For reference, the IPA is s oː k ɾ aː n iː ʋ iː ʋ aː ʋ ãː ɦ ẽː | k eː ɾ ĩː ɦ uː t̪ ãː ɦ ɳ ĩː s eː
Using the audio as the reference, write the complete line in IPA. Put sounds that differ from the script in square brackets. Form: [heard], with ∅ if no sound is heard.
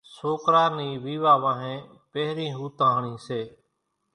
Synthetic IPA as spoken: s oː k ɾ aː n iː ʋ iː ʋ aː ʋ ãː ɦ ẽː | [p] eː ɾ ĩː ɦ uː t̪ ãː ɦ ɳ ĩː s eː